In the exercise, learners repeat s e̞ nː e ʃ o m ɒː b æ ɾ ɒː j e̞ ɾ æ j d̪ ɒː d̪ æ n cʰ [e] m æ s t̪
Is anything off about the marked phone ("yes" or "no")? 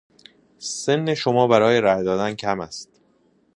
yes